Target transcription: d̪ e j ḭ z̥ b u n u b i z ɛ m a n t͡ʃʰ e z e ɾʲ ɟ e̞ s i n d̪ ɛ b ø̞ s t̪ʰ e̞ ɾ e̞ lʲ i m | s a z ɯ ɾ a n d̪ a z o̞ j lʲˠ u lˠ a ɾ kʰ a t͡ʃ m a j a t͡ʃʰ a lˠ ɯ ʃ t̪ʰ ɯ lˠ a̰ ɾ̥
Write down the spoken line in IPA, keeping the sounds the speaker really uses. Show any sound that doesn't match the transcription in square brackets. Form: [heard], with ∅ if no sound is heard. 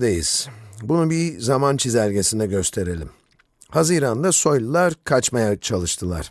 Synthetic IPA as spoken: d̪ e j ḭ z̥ b u n u b i z [a] m a n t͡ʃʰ [i] z [æ] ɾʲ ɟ e̞ s i n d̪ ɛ [ɟ] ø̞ s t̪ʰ e̞ ɾ e̞ lʲ i m | [h] a z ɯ ɾ a n d̪ a [s] o̞ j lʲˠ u lˠ a ɾ kʰ a t͡ʃ m a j a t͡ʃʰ a lˠ ɯ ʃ t̪ʰ ɯ lˠ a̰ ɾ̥